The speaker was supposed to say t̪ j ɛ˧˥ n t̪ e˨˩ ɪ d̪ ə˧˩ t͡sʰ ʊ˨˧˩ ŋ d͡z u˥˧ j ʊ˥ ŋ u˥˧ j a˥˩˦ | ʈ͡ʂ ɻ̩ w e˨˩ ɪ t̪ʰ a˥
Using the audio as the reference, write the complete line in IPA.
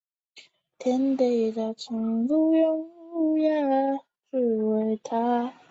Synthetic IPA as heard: t̪ʰ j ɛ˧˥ n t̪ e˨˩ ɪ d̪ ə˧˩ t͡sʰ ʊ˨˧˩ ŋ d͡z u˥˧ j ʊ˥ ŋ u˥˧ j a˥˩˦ | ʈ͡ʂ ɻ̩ w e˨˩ ɪ t̪ʰ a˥